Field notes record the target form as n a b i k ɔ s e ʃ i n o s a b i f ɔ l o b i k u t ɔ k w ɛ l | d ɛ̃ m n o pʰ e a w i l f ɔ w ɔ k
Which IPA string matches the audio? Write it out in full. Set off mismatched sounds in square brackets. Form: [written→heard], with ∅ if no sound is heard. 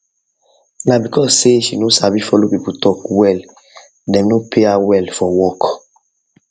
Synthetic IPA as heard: n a b i k ɔ s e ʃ i n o s a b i f ɔ l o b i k u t ɔ k w ɛ l | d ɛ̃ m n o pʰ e a w [i→ɛ] l f ɔ w ɔ k